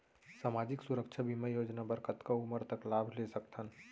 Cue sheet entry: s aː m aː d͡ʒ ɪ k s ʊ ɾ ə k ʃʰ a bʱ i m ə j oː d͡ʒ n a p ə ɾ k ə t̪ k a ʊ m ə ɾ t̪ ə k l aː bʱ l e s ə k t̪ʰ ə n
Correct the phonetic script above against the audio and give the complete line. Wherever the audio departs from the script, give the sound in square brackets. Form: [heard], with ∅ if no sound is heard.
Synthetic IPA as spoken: s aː m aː d͡ʒ ɪ k s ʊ ɾ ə k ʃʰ a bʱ i m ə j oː d͡ʒ n a [b] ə ɾ k ə t̪ k a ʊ m ə ɾ t̪ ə k l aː bʱ l e s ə k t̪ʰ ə n